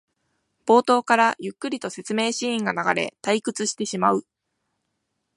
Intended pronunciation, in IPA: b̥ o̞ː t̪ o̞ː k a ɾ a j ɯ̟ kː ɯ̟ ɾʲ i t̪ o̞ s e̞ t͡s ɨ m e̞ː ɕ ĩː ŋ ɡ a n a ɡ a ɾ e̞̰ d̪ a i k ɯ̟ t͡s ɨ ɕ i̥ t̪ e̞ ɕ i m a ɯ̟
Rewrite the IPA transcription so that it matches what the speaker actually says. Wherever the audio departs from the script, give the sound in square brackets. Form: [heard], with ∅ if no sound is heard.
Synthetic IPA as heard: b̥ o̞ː t̪ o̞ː k a ɾ a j ɯ̟ kː ɯ̟ ɾʲ i t̪ o̞ s e̞ t͡s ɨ m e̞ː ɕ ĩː ŋ ɡ a n a ɡ a ɾ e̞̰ [t̪] a i k ɯ̟ t͡s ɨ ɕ i̥ t̪ e̞ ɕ i m a ɯ̟